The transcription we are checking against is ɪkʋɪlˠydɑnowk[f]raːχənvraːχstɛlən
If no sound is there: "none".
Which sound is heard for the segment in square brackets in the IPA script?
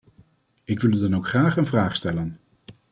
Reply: χ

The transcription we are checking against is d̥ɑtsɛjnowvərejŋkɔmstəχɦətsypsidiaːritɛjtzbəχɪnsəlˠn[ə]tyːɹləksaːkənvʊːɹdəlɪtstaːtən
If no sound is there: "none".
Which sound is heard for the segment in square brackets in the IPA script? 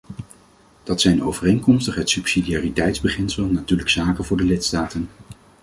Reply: a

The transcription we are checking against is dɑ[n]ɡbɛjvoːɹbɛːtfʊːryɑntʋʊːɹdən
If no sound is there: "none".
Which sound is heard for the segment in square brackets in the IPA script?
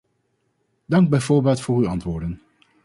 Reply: ŋ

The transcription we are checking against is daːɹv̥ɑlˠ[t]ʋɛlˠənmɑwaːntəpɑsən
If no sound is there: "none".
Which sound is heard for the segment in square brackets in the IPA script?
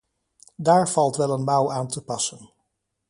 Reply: t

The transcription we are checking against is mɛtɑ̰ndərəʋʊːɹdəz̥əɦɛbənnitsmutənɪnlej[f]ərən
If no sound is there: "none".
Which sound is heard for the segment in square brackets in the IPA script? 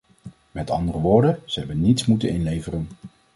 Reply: v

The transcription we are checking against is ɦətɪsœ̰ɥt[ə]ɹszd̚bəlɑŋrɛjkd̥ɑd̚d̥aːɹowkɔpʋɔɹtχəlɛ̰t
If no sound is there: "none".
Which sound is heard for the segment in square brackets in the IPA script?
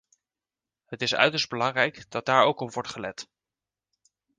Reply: ə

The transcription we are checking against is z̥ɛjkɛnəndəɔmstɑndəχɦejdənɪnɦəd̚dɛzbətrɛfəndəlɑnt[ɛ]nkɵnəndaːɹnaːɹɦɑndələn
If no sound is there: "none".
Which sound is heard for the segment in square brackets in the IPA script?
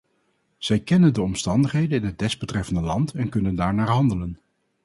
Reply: ɛ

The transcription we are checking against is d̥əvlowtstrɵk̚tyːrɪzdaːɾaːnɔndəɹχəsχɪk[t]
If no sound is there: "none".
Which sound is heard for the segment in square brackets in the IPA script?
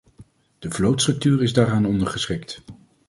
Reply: t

